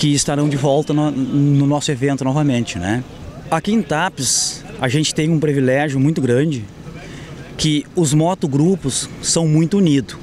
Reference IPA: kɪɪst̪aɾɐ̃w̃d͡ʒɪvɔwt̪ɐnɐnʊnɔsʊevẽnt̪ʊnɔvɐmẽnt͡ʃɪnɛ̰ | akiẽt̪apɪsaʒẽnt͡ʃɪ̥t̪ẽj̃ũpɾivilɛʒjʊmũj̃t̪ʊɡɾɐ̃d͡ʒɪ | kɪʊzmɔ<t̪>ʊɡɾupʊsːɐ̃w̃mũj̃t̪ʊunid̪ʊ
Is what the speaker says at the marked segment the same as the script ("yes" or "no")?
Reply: yes